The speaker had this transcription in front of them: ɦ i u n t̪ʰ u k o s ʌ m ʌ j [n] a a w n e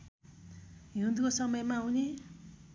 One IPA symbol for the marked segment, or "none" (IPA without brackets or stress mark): m